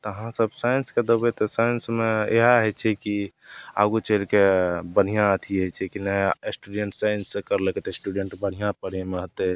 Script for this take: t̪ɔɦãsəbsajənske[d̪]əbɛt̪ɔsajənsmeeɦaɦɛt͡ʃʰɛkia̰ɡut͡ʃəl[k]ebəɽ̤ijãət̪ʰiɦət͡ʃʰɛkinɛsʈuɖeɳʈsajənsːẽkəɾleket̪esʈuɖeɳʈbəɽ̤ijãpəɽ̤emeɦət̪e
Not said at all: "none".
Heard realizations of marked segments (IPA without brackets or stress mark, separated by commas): d̪, k